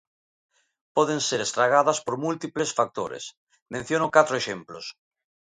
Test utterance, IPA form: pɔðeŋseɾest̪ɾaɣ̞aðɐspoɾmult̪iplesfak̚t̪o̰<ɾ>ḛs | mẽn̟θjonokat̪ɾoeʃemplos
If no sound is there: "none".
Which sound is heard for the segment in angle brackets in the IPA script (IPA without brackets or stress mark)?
ɾ